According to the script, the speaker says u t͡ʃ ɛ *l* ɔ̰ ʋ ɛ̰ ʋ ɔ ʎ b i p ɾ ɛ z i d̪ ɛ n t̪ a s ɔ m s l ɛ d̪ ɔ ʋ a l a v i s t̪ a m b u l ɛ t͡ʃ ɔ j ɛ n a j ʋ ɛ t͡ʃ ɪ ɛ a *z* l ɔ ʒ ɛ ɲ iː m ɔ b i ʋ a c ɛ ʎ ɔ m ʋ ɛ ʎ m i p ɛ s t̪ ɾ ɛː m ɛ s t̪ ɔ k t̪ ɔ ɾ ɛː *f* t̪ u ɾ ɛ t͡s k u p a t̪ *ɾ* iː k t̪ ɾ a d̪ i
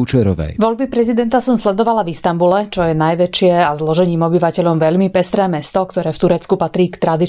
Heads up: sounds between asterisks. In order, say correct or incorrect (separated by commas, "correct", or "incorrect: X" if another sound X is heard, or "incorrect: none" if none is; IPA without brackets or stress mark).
incorrect: ɾ, correct, correct, correct